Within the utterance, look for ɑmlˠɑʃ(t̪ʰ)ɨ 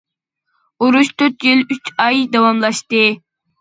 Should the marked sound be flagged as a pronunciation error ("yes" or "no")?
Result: yes